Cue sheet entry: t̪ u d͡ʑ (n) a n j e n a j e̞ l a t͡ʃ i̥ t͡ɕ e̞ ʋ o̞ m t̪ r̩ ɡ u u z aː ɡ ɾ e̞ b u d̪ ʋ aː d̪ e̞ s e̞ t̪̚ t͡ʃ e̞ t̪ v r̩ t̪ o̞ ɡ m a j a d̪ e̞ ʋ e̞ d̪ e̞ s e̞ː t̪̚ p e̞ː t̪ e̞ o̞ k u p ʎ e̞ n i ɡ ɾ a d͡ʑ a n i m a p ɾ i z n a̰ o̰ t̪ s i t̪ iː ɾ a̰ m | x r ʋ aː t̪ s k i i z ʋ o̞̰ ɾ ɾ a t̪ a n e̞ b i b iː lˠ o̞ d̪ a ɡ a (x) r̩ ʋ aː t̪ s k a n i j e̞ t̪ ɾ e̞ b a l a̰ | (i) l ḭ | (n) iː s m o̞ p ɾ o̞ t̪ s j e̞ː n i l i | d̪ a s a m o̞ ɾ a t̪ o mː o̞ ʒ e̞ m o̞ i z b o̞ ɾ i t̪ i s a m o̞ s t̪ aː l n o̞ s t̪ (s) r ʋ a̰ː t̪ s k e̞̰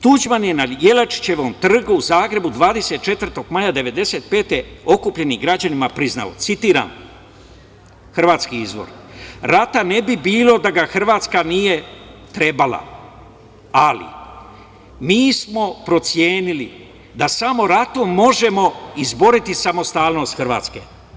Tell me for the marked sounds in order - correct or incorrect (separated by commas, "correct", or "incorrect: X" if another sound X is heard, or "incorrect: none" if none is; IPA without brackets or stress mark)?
incorrect: m, correct, incorrect: a, incorrect: m, incorrect: x